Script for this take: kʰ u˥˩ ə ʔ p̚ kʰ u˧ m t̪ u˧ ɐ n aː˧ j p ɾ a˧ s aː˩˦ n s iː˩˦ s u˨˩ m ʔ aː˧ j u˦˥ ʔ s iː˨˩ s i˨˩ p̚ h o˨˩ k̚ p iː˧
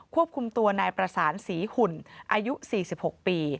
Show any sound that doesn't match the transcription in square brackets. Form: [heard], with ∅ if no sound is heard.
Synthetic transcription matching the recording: kʰ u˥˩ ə [∅] p̚ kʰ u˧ m t̪ u˧ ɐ n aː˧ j p ɾ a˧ s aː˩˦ n s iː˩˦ [h] u˨˩ [n] ʔ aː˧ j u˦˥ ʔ s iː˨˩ s i˨˩ p̚ h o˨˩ k̚ p iː˧

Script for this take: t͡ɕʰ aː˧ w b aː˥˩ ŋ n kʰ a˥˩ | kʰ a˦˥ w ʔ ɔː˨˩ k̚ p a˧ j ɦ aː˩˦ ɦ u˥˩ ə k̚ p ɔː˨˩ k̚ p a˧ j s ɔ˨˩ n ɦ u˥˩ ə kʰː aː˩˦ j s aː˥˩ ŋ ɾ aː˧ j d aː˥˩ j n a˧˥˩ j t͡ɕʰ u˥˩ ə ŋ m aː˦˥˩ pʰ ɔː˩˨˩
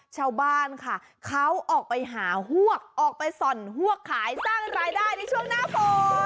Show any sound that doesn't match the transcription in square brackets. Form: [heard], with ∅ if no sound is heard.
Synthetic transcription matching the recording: t͡ɕʰ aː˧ w b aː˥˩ [∅] n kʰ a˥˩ | kʰ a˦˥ w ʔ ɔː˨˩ k̚ p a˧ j ɦ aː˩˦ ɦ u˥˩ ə k̚ [ʔ] ɔː˨˩ k̚ p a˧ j s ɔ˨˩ n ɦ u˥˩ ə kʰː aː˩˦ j s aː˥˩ ŋ ɾ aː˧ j d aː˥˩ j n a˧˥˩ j t͡ɕʰ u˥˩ ə ŋ [n] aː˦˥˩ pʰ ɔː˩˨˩

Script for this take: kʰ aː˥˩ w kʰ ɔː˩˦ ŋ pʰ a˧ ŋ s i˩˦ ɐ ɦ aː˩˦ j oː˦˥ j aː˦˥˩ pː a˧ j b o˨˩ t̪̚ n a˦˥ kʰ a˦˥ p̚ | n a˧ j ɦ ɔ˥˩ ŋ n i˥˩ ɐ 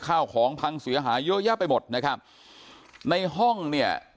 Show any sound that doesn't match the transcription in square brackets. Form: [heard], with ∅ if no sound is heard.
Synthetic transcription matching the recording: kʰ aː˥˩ w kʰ ɔː˩˦ ŋ pʰ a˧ ŋ s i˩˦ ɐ ɦ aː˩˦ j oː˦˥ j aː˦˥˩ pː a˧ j [m] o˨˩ t̪̚ n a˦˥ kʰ a˦˥ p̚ | n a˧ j ɦ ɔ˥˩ ŋ n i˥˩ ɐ

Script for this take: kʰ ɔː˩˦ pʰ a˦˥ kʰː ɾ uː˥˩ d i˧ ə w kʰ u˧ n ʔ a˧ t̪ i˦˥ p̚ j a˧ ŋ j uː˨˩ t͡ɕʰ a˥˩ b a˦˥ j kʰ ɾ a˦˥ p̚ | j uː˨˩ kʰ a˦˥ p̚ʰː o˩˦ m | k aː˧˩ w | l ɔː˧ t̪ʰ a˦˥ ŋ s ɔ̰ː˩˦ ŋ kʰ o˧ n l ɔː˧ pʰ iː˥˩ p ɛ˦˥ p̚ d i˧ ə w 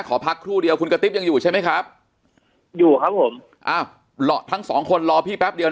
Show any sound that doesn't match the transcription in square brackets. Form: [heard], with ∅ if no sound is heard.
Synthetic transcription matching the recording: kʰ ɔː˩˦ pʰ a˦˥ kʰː ɾ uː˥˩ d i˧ ə w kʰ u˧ n [k] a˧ t̪ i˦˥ p̚ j a˧ ŋ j uː˨˩ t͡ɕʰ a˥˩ [m] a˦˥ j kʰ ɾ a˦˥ p̚ | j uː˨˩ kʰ a˦˥ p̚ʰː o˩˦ m | [ʔ] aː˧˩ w | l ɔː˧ t̪ʰ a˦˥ ŋ s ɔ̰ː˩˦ ŋ kʰ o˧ n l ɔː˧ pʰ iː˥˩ p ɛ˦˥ p̚ d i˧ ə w

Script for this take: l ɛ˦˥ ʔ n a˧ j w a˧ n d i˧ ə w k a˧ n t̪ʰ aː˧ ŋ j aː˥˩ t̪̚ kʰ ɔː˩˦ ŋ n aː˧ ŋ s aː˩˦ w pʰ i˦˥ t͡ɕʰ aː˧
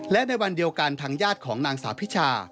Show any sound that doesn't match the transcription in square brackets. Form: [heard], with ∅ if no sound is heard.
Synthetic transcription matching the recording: l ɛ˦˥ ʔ n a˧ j w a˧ n d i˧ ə w k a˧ n t̪ʰ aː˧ ŋ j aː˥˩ t̪̚ kʰ ɔː˩˦ ŋ n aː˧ ŋ s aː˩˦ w pʰ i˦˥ t͡ɕʰ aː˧

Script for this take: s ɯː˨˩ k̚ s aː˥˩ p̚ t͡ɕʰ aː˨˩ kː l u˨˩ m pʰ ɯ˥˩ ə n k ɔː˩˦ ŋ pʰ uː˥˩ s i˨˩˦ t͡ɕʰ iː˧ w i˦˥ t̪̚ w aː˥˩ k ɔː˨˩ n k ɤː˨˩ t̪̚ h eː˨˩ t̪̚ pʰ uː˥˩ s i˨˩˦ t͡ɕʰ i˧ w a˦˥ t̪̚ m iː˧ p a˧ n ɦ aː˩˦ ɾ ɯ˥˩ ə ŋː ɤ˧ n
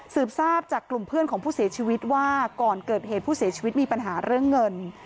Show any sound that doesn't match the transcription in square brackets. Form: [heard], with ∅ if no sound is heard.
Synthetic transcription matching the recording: s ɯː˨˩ [p̚] s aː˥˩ p̚ [t͡ɕ] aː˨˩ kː l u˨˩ m pʰ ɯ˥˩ ə n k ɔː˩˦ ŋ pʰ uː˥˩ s i˨˩˦ t͡ɕʰ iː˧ w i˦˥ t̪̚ w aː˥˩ k ɔː˨˩ n k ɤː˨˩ t̪̚ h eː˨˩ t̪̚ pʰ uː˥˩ s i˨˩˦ t͡ɕʰ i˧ w [i˦˥] t̪̚ m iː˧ p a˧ n ɦ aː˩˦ ɾ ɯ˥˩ ə ŋː ɤ˧ n

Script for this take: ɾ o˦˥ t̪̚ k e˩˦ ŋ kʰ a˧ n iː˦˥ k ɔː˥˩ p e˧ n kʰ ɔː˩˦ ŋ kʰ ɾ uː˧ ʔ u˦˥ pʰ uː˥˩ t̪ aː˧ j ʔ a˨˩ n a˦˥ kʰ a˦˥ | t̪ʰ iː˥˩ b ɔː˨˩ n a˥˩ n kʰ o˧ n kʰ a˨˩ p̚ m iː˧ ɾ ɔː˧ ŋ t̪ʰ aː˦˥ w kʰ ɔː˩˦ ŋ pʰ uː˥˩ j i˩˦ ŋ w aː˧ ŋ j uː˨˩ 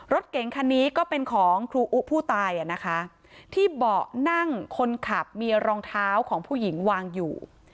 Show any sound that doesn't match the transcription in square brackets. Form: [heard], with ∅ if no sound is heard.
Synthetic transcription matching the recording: ɾ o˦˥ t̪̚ k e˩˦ ŋ kʰ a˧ n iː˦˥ k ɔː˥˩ p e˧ n kʰ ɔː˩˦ ŋ kʰ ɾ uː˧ ʔ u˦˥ pʰ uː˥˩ t̪ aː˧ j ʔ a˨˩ n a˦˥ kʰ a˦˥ | t̪ʰ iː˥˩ b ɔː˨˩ n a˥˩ [ŋ] kʰ o˧ n kʰ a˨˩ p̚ m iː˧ ɾ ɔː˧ ŋ t̪ʰ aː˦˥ w kʰ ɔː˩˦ ŋ pʰ uː˥˩ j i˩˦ ŋ w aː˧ ŋ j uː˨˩

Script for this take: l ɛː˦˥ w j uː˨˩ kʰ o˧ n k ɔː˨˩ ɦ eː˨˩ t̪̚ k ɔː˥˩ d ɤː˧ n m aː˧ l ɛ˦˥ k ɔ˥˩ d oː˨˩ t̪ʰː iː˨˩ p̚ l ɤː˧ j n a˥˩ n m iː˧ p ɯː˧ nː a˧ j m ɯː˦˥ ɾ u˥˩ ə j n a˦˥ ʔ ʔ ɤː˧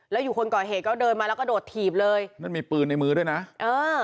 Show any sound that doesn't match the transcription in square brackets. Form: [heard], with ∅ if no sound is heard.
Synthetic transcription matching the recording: l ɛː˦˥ w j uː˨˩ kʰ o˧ n k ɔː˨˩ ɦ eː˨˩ t̪̚ k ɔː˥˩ d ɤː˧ n m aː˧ l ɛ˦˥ k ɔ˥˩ d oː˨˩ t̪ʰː iː˨˩ p̚ l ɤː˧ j n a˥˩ n m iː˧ p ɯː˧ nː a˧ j m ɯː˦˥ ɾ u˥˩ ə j n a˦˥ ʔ ʔ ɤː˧

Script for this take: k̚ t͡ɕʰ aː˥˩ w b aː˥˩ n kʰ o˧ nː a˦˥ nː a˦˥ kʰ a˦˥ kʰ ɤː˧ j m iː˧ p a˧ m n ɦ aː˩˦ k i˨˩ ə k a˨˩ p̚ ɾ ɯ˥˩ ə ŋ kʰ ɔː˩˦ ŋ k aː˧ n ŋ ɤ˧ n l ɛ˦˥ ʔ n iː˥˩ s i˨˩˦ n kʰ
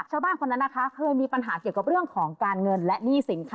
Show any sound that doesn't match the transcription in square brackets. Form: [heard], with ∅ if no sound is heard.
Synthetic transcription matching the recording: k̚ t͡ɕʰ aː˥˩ w b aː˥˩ n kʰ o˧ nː a˦˥ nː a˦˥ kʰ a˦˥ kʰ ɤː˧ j m iː˧ p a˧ [∅] n ɦ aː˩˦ k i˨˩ ə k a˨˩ p̚ ɾ ɯ˥˩ ə ŋ kʰ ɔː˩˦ ŋ k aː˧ n ŋ ɤ˧ n l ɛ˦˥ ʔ n iː˥˩ s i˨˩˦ n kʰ

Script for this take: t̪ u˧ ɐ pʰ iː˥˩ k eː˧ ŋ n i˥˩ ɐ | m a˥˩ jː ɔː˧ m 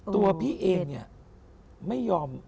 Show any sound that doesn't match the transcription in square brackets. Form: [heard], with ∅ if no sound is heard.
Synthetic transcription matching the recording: t̪ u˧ ɐ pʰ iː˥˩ [ʔ] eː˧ ŋ n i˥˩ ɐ | m a˥˩ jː ɔː˧ m

